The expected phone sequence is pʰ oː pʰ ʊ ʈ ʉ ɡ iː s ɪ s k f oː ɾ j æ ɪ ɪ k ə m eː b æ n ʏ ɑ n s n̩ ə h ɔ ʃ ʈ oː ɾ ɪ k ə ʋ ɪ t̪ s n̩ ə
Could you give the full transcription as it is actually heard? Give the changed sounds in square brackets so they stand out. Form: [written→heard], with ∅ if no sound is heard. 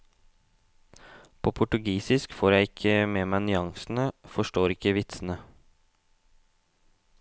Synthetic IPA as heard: pʰ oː pʰ ʊ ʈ ʉ ɡ iː s ɪ s k f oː ɾ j æ ɪ ɪ [k→kʰ] ə m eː [b→m] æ n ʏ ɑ [n→ŋ] s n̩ ə [h→f] ɔ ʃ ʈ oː ɾ ɪ k ə ʋ ɪ t̪ s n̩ ə